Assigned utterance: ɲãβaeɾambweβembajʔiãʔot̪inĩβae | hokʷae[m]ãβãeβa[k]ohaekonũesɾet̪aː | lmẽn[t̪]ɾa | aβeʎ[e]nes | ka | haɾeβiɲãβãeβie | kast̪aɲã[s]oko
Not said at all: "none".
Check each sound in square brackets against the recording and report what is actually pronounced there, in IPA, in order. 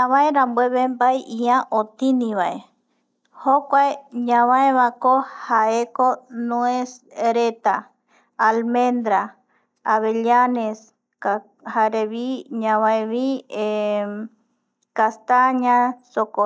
ɲ, k, d̪, a, s

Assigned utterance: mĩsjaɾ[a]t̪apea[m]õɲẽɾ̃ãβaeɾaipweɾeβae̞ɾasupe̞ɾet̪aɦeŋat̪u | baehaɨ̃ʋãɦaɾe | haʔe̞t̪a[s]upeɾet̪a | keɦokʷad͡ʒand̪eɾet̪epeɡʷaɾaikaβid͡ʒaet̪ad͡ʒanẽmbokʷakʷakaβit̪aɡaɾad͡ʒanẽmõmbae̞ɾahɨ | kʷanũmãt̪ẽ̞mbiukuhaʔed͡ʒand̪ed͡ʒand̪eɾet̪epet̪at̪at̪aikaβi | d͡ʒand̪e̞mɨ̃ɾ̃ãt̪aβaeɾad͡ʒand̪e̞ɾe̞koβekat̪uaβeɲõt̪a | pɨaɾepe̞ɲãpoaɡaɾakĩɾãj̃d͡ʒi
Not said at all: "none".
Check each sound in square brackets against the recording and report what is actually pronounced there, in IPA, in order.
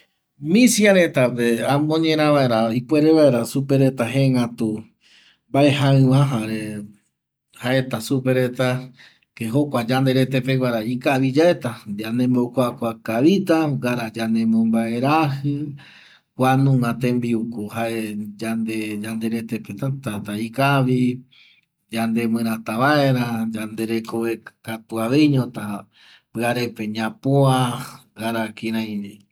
e, m, s

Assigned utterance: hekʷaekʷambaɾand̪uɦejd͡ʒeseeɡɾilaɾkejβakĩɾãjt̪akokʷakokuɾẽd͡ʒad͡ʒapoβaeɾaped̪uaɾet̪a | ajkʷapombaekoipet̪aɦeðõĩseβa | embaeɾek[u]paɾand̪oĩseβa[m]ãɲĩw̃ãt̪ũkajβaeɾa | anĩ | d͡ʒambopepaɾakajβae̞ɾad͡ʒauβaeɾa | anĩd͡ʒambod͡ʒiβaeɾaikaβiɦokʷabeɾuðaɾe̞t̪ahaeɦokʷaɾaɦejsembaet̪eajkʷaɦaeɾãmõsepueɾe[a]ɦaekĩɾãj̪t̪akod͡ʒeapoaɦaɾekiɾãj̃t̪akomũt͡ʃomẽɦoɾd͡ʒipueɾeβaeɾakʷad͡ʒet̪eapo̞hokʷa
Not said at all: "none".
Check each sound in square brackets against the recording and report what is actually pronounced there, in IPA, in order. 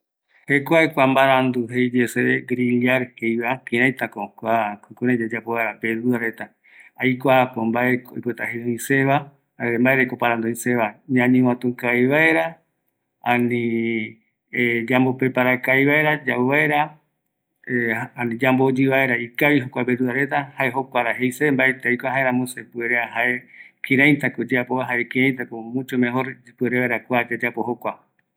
o, ɲ, a

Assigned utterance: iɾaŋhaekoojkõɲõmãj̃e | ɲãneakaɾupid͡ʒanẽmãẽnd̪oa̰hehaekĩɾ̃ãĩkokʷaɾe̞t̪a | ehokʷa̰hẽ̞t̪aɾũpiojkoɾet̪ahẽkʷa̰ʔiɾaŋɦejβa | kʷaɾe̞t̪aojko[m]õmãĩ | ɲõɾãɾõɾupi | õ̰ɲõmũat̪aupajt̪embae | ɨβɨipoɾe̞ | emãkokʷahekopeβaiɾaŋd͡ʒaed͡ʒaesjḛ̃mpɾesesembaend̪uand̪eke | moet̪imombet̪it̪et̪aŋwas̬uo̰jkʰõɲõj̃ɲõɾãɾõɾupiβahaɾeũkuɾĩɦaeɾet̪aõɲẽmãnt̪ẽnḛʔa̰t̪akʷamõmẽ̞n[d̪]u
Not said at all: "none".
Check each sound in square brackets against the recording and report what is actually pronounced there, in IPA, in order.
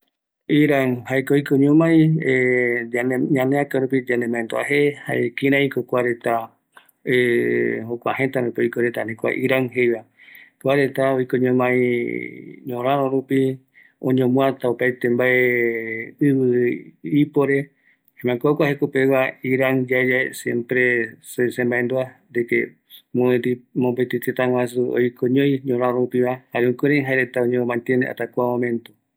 ɲ, t̪

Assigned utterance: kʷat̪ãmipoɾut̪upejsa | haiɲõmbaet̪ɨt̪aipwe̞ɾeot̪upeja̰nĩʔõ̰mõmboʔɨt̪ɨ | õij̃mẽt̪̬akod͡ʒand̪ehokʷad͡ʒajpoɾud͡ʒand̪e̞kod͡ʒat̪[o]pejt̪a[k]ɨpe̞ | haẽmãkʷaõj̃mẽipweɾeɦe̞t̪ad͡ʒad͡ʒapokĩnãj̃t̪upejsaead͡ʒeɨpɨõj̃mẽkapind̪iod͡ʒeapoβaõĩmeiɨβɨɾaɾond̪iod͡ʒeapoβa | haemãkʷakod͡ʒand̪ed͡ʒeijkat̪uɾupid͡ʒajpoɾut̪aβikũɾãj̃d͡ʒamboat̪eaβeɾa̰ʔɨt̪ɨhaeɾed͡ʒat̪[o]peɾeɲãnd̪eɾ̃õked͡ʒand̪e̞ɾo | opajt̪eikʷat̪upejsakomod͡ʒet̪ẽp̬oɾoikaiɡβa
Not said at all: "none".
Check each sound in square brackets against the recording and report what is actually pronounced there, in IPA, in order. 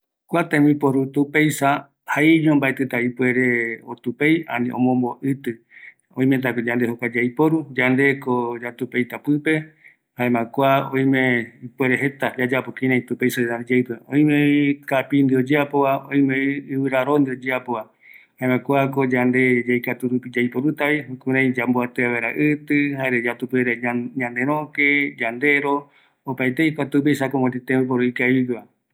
u, p, u

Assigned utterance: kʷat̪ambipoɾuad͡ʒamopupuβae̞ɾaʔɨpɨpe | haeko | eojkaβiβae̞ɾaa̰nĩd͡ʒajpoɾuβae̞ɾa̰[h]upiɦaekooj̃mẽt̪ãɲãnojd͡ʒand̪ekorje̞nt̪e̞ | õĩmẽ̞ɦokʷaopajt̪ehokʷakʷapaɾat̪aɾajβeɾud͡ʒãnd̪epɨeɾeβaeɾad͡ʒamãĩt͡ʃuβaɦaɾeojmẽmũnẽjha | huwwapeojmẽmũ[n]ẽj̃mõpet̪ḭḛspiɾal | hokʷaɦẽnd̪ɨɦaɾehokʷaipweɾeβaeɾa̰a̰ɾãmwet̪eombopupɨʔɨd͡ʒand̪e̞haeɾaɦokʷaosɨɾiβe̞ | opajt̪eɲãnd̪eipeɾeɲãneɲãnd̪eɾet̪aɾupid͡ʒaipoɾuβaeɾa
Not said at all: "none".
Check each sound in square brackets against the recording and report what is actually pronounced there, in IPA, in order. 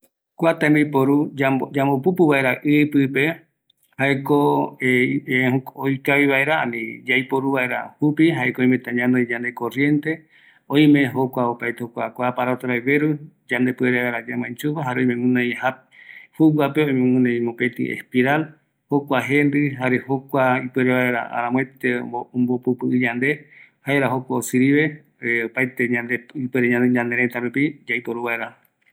h, n

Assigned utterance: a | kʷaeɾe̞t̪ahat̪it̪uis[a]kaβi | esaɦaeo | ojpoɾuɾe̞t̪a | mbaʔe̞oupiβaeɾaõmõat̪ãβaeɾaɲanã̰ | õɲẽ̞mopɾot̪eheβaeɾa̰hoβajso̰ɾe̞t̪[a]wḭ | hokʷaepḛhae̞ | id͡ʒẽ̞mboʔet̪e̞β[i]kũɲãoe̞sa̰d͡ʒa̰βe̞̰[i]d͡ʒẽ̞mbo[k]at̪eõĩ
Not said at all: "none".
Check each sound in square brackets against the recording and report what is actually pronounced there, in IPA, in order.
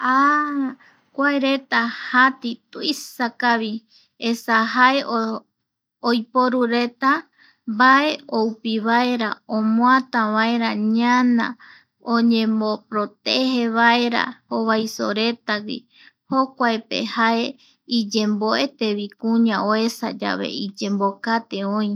a, a, i, i, k

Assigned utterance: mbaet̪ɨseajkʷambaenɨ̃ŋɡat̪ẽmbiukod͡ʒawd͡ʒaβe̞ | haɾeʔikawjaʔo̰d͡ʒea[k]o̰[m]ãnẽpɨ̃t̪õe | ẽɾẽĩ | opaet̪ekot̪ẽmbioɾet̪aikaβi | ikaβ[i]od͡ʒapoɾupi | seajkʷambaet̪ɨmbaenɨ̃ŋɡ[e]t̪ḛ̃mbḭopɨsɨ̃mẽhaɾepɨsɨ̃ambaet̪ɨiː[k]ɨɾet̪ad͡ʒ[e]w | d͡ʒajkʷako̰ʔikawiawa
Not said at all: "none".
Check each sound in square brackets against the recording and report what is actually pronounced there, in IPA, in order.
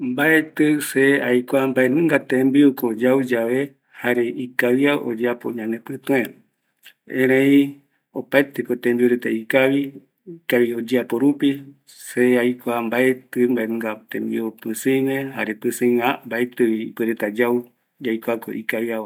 p, ɲ, i, a, p, a

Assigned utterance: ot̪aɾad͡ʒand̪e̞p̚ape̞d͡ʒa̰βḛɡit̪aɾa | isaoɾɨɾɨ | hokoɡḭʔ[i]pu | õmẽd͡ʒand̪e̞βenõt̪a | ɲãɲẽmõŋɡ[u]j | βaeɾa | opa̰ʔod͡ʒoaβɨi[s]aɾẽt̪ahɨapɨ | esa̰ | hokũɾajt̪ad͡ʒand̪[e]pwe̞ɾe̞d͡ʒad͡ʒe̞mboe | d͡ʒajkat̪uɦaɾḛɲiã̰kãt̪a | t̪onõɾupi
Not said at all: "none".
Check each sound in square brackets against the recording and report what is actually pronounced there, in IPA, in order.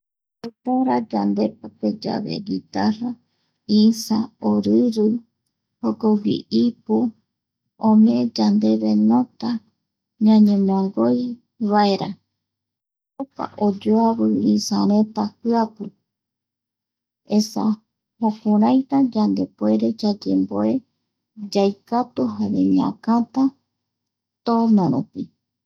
i, o, s, e

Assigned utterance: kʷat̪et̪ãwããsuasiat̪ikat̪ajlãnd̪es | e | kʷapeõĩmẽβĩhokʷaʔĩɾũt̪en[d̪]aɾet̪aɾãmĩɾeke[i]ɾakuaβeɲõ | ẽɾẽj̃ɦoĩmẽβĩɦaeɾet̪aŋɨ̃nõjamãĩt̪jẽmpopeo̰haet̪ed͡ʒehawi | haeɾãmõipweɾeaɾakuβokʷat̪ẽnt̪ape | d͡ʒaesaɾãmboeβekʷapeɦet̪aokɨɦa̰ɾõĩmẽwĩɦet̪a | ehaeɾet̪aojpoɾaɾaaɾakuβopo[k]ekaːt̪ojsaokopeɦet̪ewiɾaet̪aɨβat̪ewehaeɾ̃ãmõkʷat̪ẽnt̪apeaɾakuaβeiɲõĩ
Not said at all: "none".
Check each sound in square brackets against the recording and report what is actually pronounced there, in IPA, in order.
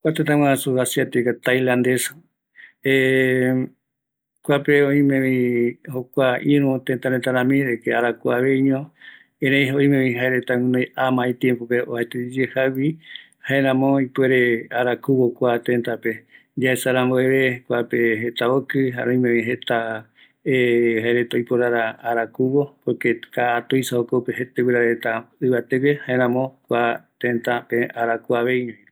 t̪, a, k

